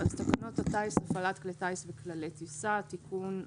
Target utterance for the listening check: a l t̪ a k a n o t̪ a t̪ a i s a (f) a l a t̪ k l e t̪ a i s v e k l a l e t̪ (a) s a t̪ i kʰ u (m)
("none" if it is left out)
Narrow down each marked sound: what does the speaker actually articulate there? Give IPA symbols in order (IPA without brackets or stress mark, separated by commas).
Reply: f, i, n